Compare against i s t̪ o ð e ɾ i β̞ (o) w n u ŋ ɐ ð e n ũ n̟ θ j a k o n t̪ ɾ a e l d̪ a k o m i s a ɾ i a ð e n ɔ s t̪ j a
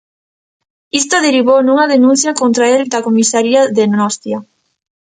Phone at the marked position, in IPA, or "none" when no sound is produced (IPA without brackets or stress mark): o